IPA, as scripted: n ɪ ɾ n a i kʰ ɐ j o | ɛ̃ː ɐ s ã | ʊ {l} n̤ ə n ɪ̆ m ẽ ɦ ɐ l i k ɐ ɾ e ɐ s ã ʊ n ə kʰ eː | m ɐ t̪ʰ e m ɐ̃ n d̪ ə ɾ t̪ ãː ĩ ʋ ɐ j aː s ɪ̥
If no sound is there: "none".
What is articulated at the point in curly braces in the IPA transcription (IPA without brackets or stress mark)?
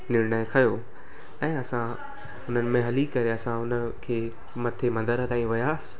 none